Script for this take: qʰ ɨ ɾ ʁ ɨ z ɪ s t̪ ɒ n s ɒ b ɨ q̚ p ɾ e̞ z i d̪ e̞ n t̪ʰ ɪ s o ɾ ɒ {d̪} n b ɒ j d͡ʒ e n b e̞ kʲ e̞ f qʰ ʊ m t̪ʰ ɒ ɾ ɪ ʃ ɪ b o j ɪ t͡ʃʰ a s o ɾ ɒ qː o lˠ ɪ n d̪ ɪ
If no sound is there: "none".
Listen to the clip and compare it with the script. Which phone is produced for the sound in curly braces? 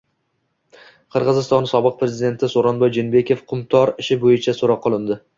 none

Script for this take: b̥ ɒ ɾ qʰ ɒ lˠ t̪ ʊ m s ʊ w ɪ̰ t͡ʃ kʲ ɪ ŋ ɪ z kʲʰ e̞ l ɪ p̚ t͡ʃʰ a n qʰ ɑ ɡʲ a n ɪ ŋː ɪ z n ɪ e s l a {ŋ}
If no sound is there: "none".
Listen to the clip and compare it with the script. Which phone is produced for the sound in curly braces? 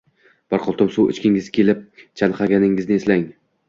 ŋ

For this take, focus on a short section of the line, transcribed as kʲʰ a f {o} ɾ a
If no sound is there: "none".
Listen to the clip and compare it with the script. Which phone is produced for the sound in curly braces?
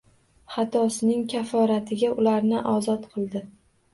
ɒ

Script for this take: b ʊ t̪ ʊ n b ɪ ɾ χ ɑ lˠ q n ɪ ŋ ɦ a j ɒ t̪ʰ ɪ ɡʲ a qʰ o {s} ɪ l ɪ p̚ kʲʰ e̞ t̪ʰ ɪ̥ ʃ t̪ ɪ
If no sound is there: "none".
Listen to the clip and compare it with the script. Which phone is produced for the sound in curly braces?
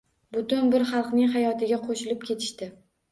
ʃ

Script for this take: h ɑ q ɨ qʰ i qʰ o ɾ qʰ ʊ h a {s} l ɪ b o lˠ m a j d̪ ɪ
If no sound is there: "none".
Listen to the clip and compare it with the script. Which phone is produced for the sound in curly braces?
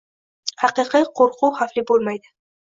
f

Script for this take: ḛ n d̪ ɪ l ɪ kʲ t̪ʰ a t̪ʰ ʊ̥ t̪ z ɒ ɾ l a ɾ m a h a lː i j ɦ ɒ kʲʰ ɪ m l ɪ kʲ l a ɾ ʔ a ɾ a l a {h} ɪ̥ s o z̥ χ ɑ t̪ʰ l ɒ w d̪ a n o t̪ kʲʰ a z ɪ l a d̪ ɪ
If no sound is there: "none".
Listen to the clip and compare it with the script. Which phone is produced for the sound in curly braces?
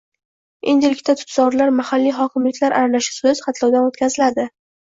ʃ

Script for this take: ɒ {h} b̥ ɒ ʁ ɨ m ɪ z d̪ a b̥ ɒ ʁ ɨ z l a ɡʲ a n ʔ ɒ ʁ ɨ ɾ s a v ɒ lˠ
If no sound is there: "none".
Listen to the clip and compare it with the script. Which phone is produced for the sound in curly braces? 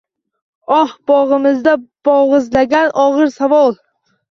h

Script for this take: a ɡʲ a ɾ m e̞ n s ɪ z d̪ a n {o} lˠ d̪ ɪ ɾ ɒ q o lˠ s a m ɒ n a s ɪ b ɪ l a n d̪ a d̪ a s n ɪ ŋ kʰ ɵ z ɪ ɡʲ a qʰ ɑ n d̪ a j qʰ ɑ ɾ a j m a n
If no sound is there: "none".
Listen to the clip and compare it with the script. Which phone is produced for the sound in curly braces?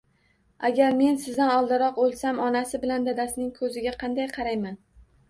ɒ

